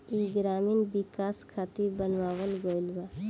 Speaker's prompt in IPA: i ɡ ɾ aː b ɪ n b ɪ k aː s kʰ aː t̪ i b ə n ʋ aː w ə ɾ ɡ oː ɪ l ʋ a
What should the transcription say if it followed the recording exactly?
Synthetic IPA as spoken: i ɡ ɾ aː m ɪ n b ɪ k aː s kʰ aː t̪ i b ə n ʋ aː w ə l ɡ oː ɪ l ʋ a